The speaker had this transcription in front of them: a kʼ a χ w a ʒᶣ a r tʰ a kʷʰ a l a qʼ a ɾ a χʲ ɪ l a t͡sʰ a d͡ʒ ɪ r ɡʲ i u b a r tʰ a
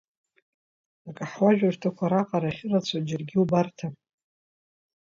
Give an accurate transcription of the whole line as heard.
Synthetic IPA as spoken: a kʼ a ħ w a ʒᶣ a r tʰ a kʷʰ a ɾ a qʼ a ɾ a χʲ ɪ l a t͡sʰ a d͡ʒ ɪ r ɡʲ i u b a r tʰ a